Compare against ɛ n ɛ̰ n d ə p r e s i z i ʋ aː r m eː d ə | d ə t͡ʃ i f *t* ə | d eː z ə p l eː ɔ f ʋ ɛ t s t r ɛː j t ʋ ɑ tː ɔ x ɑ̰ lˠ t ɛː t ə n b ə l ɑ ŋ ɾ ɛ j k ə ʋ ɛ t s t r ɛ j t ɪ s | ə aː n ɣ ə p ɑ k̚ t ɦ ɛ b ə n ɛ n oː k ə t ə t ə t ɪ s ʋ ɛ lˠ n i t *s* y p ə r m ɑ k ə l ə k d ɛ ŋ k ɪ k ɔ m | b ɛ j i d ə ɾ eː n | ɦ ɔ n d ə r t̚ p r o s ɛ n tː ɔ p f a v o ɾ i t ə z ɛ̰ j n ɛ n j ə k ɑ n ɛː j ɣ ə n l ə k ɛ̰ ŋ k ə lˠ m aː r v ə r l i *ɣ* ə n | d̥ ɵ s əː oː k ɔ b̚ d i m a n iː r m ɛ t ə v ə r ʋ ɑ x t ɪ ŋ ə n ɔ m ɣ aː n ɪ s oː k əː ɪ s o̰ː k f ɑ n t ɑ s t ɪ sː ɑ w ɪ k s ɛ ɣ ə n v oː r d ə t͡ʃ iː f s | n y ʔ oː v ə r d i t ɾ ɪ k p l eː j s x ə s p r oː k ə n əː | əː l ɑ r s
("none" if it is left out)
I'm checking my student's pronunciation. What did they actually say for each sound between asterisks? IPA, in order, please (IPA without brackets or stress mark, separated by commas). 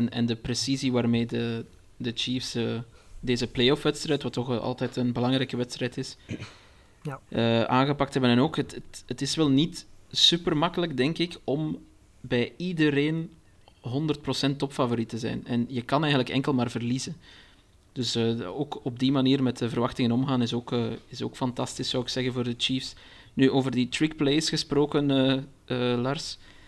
s, s, z